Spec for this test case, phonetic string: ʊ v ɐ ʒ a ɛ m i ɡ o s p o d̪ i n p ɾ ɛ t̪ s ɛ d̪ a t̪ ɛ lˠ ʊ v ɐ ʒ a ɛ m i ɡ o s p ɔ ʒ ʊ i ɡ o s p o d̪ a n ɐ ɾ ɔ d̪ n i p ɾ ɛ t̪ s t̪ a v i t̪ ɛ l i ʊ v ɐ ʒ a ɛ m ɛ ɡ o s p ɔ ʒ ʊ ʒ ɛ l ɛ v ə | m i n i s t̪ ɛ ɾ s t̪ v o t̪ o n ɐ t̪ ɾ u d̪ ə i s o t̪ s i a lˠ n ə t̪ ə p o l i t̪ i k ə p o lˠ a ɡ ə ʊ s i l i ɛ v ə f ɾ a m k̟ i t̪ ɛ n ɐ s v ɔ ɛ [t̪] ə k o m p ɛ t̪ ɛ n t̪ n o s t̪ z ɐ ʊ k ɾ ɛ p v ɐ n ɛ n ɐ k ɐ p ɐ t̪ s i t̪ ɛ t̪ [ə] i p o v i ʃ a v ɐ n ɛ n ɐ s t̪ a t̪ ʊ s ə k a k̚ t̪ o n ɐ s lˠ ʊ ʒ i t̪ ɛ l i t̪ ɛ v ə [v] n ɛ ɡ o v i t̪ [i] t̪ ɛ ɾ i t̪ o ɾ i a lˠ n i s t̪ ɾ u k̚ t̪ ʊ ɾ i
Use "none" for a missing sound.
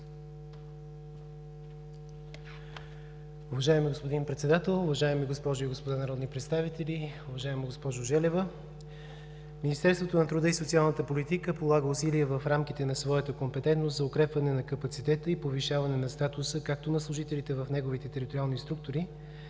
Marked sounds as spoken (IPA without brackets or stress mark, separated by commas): t̪, ə, f, ɛ